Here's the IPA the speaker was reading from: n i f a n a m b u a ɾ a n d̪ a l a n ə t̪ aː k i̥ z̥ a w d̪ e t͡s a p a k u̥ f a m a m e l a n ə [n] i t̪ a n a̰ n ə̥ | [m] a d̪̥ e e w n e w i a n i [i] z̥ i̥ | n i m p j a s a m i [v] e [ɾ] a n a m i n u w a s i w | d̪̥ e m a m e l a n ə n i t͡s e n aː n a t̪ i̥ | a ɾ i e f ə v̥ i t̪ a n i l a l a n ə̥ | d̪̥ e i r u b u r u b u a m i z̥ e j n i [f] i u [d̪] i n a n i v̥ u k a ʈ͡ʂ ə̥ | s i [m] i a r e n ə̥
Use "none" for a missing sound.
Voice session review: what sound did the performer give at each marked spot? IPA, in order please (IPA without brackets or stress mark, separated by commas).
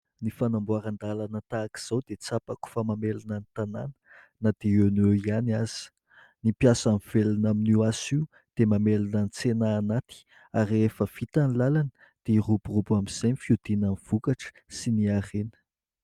n, n, a, v, l, f, d̪, n